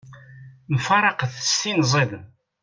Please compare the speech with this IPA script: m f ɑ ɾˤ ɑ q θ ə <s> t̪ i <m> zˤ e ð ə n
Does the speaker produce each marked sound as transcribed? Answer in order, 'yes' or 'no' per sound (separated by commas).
yes, no